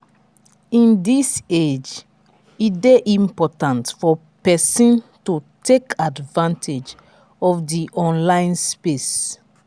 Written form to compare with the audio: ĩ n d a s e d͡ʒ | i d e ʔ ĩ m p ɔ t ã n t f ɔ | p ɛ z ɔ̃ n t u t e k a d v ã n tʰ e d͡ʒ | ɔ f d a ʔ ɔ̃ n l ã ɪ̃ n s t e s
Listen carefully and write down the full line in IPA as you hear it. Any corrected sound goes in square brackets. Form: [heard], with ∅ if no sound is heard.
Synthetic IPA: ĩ n d [i] s e d͡ʒ | i d e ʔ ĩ m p ɔ t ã n t f ɔ | p ɛ [s] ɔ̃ n t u t e k a d v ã n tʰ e d͡ʒ | ɔ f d [i] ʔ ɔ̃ n l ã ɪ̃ n s [p] e s